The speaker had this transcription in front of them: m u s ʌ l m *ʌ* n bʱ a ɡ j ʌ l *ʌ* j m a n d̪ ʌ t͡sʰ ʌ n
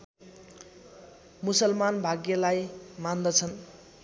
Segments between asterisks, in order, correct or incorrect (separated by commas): incorrect, incorrect